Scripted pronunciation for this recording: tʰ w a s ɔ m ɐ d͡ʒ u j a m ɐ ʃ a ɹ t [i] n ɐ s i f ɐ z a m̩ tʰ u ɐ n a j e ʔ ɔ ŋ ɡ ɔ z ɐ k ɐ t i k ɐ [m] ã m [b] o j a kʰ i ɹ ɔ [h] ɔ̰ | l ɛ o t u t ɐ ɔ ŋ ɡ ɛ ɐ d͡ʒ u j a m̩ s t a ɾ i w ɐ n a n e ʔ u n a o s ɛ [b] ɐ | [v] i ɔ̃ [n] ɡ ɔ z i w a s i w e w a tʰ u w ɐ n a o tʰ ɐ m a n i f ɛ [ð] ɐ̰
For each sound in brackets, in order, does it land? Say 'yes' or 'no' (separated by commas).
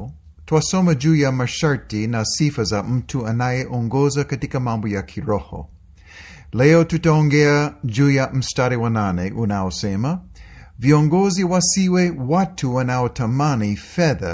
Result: yes, yes, yes, yes, no, yes, no, yes